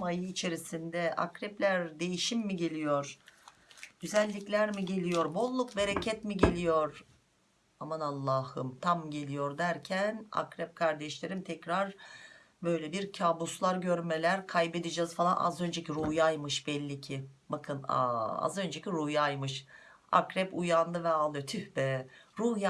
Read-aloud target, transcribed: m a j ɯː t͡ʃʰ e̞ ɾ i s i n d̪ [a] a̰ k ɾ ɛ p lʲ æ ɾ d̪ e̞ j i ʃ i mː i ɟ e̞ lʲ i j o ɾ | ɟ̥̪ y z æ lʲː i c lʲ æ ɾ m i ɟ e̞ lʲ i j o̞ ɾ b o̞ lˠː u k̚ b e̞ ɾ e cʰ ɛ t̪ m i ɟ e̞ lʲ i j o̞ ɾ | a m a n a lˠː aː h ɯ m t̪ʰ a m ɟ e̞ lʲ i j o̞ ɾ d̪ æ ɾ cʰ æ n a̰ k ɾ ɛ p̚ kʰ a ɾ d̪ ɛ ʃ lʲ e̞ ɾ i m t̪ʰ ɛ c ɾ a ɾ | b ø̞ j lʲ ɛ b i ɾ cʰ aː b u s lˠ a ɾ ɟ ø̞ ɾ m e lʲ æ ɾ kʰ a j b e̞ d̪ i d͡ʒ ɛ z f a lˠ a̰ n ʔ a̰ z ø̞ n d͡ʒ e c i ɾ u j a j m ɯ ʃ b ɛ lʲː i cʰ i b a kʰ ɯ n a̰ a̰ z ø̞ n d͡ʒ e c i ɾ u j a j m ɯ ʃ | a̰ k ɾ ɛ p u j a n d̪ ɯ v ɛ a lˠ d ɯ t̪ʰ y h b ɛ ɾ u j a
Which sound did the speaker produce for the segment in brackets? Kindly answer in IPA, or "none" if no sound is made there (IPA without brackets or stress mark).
ɛ